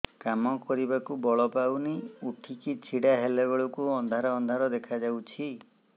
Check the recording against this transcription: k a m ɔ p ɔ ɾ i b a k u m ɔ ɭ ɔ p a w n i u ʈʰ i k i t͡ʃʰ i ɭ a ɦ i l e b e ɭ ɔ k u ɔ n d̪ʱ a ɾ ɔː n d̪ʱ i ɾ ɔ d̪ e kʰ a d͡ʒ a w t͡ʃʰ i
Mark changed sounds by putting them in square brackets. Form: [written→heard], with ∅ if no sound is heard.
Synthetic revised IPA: k a m ɔ [p→k] ɔ ɾ i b a k u [m→b] ɔ ɭ ɔ p a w n i u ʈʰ i k i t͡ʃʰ i [ɭ→ɽ] a ɦ [i→e] l e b e ɭ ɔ k u ɔ n d̪ʱ a ɾ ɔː n d̪ʱ [i→a] ɾ ɔ d̪ e kʰ a d͡ʒ a w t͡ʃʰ i

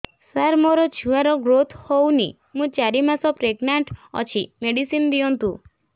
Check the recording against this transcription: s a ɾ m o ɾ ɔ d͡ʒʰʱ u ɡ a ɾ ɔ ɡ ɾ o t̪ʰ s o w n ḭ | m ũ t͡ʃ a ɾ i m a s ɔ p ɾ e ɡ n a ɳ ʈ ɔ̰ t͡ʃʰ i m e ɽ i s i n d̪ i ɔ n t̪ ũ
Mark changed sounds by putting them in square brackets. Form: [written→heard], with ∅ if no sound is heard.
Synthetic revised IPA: s a ɾ m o ɾ ɔ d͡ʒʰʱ u [ɡ→∅] a ɾ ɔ ɡ ɾ o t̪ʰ [s→h] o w n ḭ | m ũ t͡ʃ a ɾ i m a s ɔ p ɾ e ɡ n a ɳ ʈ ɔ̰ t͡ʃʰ i m e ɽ i s i n d̪ i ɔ n t̪ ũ

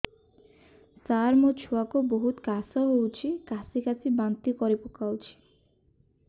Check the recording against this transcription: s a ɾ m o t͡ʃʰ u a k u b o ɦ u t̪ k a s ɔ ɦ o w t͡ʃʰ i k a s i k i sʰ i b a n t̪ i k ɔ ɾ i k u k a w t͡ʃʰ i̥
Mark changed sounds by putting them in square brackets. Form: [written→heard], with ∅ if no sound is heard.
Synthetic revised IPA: s a ɾ m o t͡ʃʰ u a k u b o ɦ u t̪ k a s ɔ ɦ o w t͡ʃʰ i k a s i k [i→a] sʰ i b a n t̪ i k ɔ ɾ i [k→p] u k a w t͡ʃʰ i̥

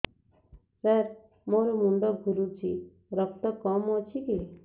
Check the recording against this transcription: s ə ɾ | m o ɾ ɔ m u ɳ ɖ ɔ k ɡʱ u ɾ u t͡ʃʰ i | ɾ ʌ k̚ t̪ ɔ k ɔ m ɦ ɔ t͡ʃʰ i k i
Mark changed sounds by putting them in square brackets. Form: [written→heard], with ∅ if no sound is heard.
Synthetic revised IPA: s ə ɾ | m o ɾ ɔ m u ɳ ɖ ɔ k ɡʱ u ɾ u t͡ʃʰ i | ɾ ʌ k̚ t̪ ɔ k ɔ m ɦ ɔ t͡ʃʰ i k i

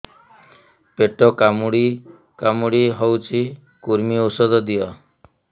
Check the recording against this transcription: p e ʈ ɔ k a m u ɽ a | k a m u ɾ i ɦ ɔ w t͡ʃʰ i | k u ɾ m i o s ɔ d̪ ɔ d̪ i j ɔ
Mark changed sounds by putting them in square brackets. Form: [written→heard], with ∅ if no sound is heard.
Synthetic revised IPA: p e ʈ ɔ k a m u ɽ [a→i] | k a m u [ɾ→ɽ] i ɦ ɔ w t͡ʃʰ i | k u ɾ m i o s ɔ d̪ ɔ d̪ i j ɔ

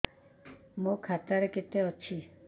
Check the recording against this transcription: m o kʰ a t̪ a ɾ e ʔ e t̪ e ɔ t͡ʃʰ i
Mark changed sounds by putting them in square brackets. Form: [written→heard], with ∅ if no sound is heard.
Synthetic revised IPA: m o kʰ a t̪ a ɾ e [ʔ→k] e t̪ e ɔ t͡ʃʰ i

